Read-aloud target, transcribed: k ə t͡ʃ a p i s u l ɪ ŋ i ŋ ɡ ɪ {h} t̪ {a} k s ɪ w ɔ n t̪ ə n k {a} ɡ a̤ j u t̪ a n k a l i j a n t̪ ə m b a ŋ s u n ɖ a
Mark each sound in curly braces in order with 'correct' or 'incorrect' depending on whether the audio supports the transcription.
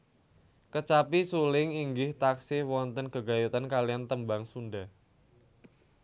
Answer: correct, correct, incorrect: ə

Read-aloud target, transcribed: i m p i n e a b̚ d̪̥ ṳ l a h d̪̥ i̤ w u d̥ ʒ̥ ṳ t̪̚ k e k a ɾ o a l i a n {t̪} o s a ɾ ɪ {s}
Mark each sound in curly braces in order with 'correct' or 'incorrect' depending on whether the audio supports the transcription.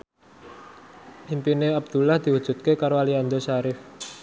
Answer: incorrect: d̪, incorrect: f

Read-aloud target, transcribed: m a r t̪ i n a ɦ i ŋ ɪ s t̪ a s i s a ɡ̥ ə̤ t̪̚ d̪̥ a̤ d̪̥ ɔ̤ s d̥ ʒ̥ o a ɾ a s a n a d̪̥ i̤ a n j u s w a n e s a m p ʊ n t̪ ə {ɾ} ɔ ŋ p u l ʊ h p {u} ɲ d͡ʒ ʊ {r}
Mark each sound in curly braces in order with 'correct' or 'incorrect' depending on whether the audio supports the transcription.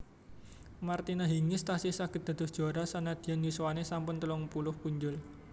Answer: incorrect: l, correct, incorrect: l

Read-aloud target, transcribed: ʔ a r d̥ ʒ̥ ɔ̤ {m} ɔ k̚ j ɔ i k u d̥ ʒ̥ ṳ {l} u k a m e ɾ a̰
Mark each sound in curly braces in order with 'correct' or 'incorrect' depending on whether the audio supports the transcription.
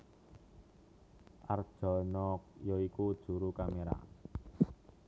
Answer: incorrect: n, incorrect: ɾ

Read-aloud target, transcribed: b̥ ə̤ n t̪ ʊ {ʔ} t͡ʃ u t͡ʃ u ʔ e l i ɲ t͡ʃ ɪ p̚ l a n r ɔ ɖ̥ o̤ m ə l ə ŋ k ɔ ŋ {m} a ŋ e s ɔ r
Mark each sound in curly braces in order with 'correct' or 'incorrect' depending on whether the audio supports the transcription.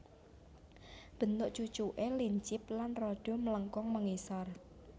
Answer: correct, correct

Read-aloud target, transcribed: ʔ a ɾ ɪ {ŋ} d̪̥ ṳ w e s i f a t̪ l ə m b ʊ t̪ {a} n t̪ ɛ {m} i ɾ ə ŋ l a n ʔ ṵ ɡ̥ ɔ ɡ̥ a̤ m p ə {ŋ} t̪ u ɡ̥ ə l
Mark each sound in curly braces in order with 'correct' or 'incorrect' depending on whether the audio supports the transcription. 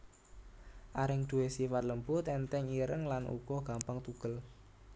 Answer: correct, incorrect: ɛ, incorrect: ŋ, correct

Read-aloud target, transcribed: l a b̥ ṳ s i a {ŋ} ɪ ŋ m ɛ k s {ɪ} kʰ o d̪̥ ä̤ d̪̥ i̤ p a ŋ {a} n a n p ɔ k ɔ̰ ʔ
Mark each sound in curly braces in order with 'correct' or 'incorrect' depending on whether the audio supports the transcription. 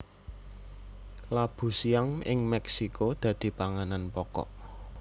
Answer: correct, incorrect: i, correct

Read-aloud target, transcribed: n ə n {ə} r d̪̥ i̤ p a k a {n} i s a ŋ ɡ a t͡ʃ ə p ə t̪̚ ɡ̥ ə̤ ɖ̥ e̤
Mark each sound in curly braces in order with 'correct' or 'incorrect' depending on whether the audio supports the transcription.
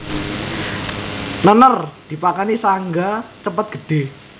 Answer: correct, correct

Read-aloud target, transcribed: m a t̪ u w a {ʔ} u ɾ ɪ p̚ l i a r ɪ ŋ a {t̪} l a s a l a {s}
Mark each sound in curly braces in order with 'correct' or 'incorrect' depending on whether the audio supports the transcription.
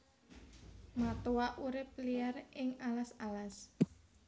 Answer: correct, incorrect: none, correct

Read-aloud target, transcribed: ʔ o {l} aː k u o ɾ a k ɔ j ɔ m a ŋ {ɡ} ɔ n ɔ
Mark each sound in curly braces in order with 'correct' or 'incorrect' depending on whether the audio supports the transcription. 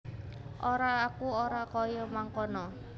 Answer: incorrect: ɾ, incorrect: k

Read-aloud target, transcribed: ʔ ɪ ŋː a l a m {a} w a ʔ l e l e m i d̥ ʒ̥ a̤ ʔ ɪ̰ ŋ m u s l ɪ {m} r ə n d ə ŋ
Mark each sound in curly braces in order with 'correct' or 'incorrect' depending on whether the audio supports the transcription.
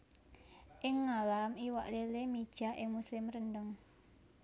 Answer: incorrect: i, correct

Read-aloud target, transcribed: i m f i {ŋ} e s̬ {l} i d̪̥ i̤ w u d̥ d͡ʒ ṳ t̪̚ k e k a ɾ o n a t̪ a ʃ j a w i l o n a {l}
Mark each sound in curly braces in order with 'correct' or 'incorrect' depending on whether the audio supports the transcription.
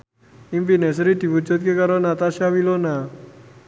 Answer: incorrect: n, incorrect: ɾ, incorrect: none

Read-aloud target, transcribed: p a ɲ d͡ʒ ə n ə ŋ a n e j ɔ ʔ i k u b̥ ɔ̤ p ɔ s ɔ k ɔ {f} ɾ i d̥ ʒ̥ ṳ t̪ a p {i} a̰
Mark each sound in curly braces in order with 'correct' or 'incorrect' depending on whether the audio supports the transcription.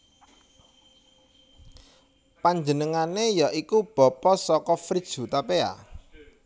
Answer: correct, incorrect: e

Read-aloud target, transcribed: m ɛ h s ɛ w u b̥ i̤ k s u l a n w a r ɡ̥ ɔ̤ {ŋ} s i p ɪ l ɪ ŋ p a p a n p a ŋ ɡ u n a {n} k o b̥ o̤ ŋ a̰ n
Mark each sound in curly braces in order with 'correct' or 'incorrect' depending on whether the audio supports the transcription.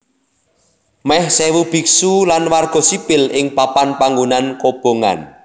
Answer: incorrect: none, correct

